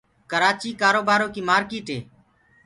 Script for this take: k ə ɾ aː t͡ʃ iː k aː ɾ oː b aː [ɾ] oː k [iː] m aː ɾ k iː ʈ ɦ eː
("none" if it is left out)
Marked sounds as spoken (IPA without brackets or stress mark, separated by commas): ɾ, iː